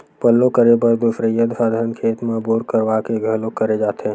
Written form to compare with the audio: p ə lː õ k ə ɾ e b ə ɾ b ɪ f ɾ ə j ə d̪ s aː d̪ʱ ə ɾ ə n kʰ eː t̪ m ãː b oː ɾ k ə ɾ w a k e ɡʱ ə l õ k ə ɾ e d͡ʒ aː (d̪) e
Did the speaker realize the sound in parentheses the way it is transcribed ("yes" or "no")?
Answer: no